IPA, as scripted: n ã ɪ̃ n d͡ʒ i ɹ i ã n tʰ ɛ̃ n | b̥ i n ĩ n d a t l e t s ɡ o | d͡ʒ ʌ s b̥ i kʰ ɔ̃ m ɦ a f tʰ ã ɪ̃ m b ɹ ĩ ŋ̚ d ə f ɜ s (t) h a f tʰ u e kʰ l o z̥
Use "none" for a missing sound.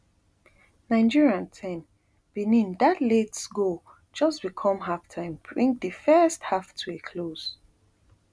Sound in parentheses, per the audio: t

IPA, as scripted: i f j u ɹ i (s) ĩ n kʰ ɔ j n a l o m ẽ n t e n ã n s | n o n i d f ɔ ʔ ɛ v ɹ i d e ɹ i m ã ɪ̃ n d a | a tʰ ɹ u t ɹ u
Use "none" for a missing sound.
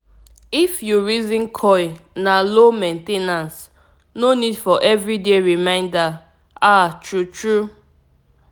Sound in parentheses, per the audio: z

